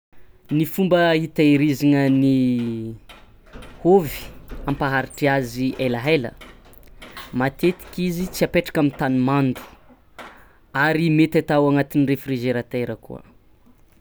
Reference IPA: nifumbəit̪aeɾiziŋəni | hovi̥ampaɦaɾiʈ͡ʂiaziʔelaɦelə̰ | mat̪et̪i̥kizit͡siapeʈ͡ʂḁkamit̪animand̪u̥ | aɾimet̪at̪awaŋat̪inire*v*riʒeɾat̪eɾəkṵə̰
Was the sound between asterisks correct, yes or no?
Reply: no